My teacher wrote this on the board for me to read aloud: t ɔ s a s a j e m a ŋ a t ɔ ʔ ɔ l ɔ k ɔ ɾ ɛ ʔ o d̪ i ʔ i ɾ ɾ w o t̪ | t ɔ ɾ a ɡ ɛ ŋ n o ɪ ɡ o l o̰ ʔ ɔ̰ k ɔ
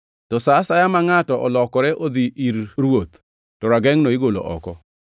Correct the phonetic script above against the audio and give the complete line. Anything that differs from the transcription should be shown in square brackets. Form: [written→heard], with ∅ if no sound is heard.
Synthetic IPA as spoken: t ɔ s a s a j [e→a] m a ŋ a t ɔ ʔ ɔ l ɔ k ɔ ɾ ɛ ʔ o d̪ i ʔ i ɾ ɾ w o t̪ | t ɔ ɾ a ɡ ɛ ŋ n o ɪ ɡ o l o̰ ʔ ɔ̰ k ɔ